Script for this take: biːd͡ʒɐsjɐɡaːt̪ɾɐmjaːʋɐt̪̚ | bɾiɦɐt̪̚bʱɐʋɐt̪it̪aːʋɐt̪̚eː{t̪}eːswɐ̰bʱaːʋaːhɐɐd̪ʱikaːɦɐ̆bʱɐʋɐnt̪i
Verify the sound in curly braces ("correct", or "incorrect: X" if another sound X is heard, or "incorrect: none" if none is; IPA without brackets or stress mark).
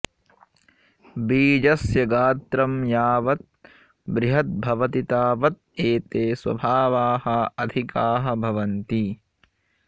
correct